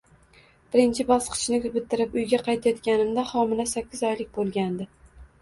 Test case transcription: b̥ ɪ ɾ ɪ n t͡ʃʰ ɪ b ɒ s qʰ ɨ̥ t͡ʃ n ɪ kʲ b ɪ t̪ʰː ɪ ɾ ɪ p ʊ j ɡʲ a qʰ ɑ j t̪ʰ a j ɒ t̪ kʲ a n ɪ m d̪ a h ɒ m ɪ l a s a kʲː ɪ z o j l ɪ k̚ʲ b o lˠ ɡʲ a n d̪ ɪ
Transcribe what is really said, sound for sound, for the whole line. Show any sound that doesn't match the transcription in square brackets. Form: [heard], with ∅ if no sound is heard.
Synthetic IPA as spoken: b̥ ɪ ɾ ɪ n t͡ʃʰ ɪ b ɒ s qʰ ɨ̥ t͡ʃ n ɪ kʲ b ɪ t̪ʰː ɪ ɾ ɪ p ʊ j ɡʲ a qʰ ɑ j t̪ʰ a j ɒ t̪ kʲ a n ɪ m d̪ a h ɒ m ɪ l a s a kʲː ɪ z [ɒ] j l ɪ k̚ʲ b o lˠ ɡʲ a n d̪ ɪ